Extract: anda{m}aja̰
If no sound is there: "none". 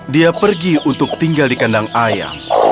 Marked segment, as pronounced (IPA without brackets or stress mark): ŋ